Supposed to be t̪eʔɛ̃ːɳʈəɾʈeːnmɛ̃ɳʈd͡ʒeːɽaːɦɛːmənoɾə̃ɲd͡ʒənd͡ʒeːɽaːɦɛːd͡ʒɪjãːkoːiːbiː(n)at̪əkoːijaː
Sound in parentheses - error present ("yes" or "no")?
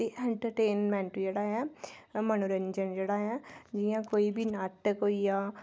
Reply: no